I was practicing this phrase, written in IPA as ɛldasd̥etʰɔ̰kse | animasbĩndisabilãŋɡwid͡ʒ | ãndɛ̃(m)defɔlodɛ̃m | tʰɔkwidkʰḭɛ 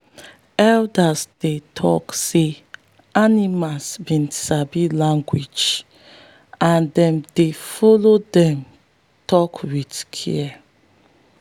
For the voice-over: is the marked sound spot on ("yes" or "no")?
yes